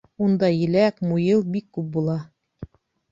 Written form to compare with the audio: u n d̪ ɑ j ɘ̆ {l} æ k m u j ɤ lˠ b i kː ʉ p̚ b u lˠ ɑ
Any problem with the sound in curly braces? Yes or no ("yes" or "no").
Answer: no